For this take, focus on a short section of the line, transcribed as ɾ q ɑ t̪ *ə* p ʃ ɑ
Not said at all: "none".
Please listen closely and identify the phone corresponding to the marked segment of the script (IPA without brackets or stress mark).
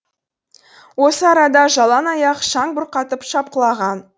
ə